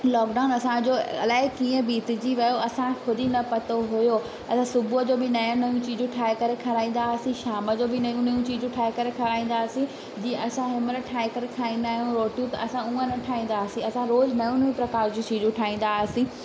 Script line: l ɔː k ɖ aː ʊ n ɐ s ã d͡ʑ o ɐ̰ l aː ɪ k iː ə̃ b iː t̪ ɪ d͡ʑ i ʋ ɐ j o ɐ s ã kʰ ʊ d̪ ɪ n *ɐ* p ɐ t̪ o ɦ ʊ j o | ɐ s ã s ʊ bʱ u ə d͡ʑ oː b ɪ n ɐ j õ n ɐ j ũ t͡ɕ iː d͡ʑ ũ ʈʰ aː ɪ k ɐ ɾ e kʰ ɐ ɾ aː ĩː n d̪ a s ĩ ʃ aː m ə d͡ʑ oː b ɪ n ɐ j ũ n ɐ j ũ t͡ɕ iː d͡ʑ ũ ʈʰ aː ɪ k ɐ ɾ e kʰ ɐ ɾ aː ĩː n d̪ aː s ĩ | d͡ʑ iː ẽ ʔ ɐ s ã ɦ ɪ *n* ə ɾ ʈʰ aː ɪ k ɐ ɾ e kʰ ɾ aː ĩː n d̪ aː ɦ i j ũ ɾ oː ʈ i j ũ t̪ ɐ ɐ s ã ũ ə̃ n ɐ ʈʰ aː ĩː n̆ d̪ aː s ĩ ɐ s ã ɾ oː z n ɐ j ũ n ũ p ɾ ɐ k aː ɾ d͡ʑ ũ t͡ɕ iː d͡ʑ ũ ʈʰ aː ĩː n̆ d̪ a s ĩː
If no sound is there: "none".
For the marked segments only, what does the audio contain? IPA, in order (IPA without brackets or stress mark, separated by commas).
ɐ, m